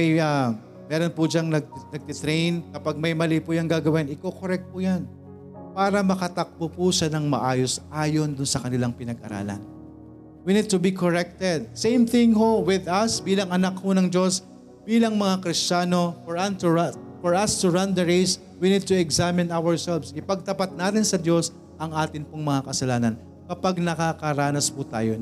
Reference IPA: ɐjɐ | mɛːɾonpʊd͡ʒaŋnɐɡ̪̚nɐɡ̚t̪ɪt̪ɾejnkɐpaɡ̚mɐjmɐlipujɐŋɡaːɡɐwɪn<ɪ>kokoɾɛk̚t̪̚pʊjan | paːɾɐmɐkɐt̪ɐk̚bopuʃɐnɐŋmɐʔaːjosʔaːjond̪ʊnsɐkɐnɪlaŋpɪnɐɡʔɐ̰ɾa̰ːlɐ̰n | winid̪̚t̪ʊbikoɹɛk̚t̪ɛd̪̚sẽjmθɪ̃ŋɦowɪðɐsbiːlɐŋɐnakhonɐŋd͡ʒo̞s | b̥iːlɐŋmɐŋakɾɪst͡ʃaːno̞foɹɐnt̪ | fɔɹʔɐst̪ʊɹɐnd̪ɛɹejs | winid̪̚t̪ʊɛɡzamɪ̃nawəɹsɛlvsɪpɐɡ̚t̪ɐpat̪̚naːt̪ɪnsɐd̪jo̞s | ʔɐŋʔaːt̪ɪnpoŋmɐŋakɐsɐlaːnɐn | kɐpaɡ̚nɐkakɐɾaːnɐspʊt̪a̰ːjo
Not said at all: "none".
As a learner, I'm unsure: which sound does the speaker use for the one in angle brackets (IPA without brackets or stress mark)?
ɪ